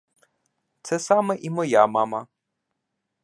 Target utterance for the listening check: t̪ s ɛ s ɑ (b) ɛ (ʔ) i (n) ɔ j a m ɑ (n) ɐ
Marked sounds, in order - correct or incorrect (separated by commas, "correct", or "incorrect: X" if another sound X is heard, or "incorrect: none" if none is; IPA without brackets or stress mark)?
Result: incorrect: m, correct, incorrect: m, incorrect: m